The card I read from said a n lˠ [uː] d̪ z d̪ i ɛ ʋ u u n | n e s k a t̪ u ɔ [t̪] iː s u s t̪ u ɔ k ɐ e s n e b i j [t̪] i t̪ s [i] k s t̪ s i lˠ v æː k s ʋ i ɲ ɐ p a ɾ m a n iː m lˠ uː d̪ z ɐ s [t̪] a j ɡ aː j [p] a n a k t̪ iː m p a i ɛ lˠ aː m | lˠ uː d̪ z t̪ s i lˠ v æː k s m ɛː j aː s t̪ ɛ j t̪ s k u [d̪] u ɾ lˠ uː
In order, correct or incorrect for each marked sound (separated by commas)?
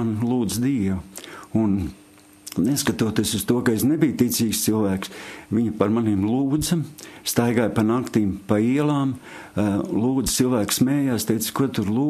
correct, correct, correct, incorrect, correct, correct, incorrect